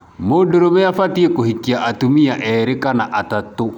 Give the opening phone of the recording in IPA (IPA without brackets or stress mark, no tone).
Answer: m